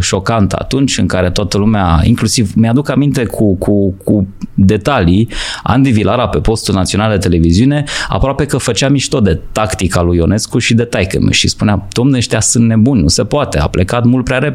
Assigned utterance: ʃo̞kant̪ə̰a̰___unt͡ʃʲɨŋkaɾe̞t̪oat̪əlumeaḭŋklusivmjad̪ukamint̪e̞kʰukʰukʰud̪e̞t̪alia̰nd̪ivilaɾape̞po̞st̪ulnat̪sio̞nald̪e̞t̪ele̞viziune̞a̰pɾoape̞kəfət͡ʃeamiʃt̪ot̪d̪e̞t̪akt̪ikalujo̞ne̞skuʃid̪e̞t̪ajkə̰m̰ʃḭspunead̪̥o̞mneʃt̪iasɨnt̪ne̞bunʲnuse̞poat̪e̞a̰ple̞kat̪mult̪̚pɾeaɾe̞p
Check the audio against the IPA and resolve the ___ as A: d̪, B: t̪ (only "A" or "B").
B